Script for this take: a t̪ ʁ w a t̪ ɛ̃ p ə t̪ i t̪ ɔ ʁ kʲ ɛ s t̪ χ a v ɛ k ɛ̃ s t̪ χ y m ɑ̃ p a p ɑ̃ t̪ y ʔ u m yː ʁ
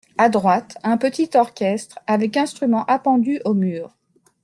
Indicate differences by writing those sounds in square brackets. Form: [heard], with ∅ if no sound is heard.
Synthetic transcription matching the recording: a [d̪] ʁ w a t̪ ɛ̃ p ə t̪ i t̪ ɔ ʁ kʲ ɛ s t̪ χ a v ɛ k ɛ̃ s t̪ χ y m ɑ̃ [ʔ] a p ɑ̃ [d̪] y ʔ [o] m yː ʁ

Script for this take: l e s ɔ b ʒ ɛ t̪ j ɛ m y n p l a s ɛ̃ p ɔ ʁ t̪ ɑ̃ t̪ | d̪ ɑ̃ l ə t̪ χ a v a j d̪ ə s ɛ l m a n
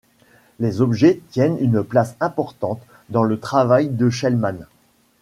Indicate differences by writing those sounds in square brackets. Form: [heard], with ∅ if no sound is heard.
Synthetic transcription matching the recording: l e [z] ɔ b ʒ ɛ t̪ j ɛ [n] y n p l a s ɛ̃ p ɔ ʁ t̪ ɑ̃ t̪ | d̪ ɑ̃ l ə t̪ χ a v a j d̪ ə [ʃ] ɛ l m a n

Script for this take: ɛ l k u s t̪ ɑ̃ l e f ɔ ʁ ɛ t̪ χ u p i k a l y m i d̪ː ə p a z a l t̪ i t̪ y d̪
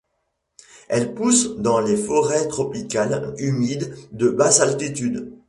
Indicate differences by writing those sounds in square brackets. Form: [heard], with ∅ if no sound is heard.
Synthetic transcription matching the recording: ɛ l [p] u s [d̪] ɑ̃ l e f ɔ ʁ ɛ t̪ χ [ɔ] p i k a l y m i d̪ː ə [b] a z a l t̪ i t̪ y d̪

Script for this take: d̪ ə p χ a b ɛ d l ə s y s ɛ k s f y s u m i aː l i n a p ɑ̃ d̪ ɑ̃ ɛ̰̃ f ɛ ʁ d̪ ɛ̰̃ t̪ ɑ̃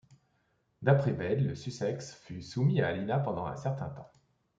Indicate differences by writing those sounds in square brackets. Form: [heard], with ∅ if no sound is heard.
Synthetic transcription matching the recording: d̪ [a] p χ [ɛ] b ɛ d l ə s y s ɛ k s f y s u m i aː l i n a p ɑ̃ d̪ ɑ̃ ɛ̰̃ [s] ɛ ʁ [t̪] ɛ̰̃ t̪ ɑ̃

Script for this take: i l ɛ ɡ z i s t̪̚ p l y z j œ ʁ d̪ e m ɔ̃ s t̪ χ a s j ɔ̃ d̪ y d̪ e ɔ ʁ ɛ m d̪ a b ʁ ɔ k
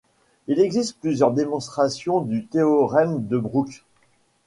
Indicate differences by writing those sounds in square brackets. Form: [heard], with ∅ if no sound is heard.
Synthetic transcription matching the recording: i l ɛ ɡ z i s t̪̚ p l y z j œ ʁ d̪ e m ɔ̃ s t̪ χ a s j ɔ̃ d̪ y [t̪] e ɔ ʁ ɛ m d̪ [ə] b ʁ [u] k

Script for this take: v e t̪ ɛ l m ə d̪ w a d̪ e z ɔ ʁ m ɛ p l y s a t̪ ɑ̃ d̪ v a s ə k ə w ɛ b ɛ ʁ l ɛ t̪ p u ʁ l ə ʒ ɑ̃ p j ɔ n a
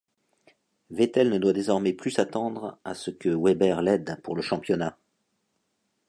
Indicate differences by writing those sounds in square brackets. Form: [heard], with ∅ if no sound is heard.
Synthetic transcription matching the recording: v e t̪ ɛ l [n] ə d̪ w a d̪ e z ɔ ʁ m ɛ p l y s a t̪ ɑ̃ d̪ [ʁ] a s ə k ə w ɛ b ɛ ʁ l ɛ [d̪] p u ʁ l ə [ʃ] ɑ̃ p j ɔ n a

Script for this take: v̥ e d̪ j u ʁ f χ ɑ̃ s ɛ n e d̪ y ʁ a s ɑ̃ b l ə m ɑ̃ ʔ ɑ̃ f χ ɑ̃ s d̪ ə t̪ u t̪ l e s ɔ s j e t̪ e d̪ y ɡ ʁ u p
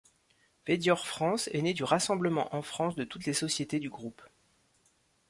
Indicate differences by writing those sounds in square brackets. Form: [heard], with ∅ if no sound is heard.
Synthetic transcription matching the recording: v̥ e d̪ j [ɔ] ʁ f χ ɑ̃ s ɛ n e d̪ y ʁ a s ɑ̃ b l ə m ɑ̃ ʔ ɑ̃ f χ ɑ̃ s d̪ ə t̪ u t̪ l e s ɔ s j e t̪ e d̪ y ɡ ʁ u p

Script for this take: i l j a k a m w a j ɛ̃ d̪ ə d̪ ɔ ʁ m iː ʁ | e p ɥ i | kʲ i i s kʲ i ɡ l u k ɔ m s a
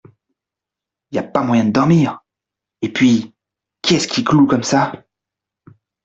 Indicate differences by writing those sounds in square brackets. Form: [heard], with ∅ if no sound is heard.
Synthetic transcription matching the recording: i l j a [p] a m w a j ɛ̃ d̪ ə d̪ ɔ ʁ m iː ʁ | e p ɥ i | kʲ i [ɛ] s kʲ i [k] l u k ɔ m s a

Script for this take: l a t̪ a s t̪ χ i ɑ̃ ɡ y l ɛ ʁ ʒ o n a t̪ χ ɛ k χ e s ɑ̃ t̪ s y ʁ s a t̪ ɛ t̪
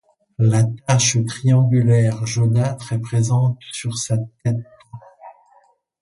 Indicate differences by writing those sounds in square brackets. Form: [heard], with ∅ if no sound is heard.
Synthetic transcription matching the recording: l a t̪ a [ʃ] t̪ χ i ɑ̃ ɡ y l ɛ ʁ ʒ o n a t̪ χ ɛ [p] χ e [z] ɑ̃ t̪ s y ʁ s a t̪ ɛ t̪

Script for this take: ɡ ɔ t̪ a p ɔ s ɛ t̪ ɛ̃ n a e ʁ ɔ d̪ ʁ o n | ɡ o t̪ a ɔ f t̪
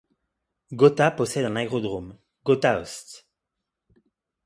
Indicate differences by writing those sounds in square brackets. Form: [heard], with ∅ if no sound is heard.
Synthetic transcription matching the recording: ɡ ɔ t̪ a p ɔ s ɛ [d̪] ɛ̃ n a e ʁ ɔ d̪ ʁ o [m] | ɡ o t̪ a ɔ [s] t̪

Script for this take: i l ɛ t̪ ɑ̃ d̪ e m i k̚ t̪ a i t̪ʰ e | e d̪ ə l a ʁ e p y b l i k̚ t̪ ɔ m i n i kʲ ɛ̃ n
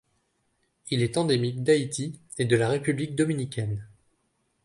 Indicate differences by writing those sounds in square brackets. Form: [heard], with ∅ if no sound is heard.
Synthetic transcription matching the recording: i l ɛ t̪ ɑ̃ d̪ e m i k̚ [d̪] a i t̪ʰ [i] | e d̪ ə l a ʁ e p y b l i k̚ [d̪] ɔ m i n i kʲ [ɛ] n

